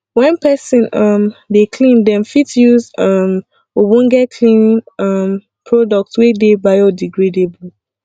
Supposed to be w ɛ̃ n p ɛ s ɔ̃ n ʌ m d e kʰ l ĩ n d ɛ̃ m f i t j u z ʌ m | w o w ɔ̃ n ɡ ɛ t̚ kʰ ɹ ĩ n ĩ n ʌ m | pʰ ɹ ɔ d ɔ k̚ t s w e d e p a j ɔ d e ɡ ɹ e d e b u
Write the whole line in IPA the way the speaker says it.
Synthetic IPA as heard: w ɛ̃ n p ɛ s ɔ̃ n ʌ m d e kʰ l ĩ n d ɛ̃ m f i t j u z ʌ m | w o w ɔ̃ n ɡ ɛ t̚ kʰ l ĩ n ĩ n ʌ m | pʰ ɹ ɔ d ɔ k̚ t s w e d e b a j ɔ d i ɡ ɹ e d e b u